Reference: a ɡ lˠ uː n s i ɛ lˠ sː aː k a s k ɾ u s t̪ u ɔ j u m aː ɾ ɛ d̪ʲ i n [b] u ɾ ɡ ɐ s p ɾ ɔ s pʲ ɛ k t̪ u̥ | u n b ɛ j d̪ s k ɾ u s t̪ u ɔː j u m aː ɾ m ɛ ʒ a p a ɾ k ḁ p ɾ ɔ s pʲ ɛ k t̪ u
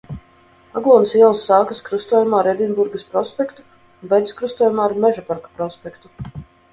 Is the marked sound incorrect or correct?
correct